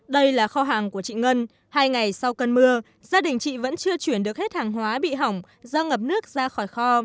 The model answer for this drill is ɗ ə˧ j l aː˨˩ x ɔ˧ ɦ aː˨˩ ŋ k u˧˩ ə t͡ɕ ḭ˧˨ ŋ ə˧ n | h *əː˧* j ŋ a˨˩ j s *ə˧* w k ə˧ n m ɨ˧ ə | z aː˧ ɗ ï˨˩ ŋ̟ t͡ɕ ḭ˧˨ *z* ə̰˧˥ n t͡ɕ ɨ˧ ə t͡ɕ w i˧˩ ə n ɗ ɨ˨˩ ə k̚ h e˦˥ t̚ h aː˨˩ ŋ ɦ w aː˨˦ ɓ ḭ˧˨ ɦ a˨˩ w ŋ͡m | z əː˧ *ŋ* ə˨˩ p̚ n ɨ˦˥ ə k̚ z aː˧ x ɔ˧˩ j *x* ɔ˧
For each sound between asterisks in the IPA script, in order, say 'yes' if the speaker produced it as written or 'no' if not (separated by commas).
no, no, no, yes, yes